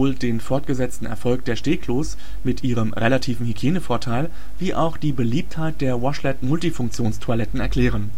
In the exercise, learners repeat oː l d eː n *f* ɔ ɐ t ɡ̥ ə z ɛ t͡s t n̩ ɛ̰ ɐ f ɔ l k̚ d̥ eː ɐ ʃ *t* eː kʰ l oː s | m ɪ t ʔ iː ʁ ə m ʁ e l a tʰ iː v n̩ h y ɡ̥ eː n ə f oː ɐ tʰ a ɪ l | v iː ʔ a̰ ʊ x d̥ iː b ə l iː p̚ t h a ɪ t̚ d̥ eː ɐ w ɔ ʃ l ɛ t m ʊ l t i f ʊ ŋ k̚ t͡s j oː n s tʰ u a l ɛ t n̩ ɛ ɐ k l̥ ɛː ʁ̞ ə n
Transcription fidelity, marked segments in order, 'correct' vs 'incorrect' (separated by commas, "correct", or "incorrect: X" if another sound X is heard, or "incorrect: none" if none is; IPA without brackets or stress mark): correct, correct